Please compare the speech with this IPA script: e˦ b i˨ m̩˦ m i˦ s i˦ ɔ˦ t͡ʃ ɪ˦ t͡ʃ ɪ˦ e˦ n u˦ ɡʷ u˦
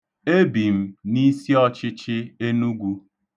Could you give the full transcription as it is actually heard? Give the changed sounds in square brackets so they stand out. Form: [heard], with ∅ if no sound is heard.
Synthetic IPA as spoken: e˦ b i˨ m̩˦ [n] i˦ s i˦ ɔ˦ t͡ʃ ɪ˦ t͡ʃ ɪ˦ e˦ n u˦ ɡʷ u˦